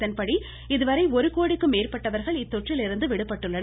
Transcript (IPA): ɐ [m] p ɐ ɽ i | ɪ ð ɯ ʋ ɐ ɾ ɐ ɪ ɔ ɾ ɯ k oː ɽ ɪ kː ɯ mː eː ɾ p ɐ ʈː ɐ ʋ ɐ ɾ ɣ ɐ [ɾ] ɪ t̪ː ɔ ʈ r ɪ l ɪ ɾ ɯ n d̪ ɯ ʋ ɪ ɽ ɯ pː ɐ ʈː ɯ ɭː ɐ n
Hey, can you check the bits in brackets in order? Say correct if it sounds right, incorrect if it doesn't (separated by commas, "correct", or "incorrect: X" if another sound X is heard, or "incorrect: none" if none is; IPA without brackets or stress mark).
incorrect: n, incorrect: ɭ